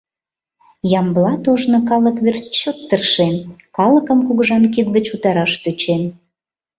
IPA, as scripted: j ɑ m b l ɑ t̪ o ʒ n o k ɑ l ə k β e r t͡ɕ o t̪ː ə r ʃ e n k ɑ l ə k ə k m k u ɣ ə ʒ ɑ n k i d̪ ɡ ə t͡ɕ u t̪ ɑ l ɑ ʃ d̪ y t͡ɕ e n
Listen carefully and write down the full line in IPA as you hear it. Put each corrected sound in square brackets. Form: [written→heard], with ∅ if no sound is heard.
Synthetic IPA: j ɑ m b l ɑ t̪ o ʒ n o k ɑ l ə k β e r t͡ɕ o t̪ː ə r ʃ e n k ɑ l ə k ə [k→∅] m k u ɣ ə ʒ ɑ n k i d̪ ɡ ə t͡ɕ u t̪ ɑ [l→ɾ] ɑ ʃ [d̪→t̪] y t͡ɕ e n